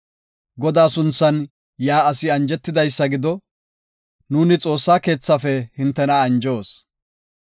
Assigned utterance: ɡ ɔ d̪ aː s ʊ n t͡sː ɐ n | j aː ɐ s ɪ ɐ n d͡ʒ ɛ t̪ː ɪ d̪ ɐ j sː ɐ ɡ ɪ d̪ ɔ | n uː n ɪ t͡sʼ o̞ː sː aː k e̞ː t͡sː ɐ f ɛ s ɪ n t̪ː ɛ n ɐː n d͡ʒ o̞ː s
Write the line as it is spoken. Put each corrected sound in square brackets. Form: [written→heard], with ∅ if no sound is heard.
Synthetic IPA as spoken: ɡ ɔ d̪ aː s ʊ n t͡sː ɐ n | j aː ɐ s ɪ ɐ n d͡ʒ ɛ t̪ː ɪ d̪ ɐ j sː ɐ ɡ ɪ d̪ ɔ | n uː n ɪ t͡sʼ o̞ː sː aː k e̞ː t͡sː ɐ f ɛ [s→h] ɪ n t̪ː ɛ n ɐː n d͡ʒ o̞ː s